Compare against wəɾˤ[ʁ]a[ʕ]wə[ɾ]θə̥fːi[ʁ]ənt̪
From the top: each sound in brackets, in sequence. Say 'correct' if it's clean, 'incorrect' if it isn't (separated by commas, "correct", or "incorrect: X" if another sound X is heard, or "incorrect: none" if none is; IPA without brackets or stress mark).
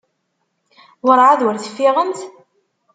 incorrect: ʕ, incorrect: ð, correct, correct